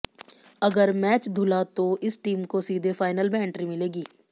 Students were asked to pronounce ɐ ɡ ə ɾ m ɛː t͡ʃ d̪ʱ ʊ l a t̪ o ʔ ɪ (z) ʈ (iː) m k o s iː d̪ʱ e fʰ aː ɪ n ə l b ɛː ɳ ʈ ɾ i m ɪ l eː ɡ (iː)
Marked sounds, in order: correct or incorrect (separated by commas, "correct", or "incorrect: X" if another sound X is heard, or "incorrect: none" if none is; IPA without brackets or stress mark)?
incorrect: s, correct, correct